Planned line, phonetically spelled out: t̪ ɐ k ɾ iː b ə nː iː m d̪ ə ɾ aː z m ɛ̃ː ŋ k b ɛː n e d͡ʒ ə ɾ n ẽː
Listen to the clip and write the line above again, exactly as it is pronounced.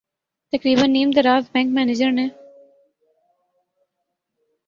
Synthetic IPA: t̪ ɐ k ɾ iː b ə nː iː m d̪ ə ɾ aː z b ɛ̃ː ŋ k m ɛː n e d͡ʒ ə ɾ n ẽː

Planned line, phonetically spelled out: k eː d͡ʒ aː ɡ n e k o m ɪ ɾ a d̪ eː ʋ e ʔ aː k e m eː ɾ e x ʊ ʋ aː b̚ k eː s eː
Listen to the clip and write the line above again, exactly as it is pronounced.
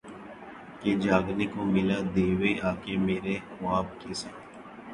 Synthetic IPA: k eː d͡ʒ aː ɡ n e k o m ɪ l a d̪ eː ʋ e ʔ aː k e m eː ɾ e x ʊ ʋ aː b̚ k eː s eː

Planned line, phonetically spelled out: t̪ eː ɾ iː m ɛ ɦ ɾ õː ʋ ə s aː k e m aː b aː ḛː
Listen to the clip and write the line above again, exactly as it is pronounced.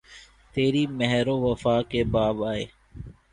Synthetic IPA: t̪ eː ɾ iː m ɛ ɦ ɾ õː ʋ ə f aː k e b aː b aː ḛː

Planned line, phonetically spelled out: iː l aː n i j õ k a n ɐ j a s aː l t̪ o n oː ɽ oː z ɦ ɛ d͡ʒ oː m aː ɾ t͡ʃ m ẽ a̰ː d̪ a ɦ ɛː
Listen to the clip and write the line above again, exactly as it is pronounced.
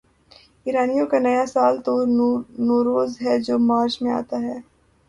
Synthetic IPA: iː ɾ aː n i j õ k a n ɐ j a s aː l t̪ o n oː ɾ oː z ɦ ɛ d͡ʒ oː m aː ɾ t͡ʃ m ẽ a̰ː t̪ a ɦ ɛː

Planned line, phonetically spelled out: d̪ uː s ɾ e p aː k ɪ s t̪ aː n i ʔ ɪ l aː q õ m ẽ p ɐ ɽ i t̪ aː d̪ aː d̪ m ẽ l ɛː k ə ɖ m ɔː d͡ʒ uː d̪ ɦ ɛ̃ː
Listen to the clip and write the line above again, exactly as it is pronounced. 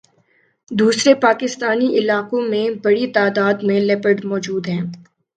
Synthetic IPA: d̪ uː s ɾ e p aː k ɪ s t̪ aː n i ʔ ɪ l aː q õ m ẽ b ɐ ɽ i t̪ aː d̪ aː d̪ m ẽ l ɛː p ə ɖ m ɔː d͡ʒ uː d̪ ɦ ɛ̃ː

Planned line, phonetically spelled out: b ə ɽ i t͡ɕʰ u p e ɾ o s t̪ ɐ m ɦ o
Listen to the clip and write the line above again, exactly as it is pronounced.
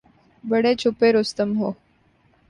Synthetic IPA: b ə ɽ e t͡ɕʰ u p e ɾ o s t̪ ə m ɦ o

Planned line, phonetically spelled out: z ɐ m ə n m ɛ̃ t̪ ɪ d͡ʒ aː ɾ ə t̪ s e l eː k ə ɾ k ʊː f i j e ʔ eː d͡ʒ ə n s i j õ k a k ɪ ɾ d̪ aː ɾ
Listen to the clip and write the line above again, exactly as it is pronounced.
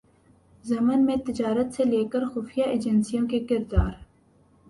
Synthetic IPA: z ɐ m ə n m ẽ t̪ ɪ d͡ʒ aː ɾ ə t̪ s e l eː k ə ɾ x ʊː f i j a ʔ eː d͡ʒ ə n s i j õ k e k ɪ ɾ d̪ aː ɾ

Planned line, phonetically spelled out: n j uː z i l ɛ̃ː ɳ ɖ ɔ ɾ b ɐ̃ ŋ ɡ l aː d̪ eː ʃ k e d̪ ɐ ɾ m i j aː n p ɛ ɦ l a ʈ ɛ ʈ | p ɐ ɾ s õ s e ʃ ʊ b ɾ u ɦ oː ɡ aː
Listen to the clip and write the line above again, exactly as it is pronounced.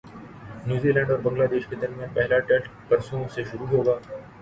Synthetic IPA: n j uː z i l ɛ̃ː ɳ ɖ ɔː ɾ b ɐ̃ ŋ ɡ l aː d̪ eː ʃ k e d̪ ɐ ɾ m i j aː n p ɛ ɦ l a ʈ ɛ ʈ | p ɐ ɾ s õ s e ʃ ʊ ɾ u ɦ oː ɡ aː

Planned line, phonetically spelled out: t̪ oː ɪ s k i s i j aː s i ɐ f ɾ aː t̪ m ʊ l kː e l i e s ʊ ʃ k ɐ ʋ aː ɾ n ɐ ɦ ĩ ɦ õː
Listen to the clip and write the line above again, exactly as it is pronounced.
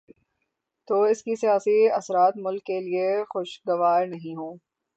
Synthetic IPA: t̪ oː ɪ s k i s i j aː s i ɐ s ɾ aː t̪ m ʊ l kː e l i e x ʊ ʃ ɡ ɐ ʋ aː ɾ n ɐ ɦ ĩ ɦ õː

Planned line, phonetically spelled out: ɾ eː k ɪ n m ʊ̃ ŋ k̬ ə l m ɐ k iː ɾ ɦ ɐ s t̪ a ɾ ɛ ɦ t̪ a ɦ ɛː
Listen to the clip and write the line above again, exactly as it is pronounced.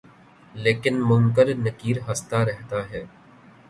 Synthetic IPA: l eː k ɪ n m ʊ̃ ŋ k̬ ə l n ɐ k iː ɾ ɦ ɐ s t̪ a ɾ ɛ ɦ t̪ a ɦ ɛː

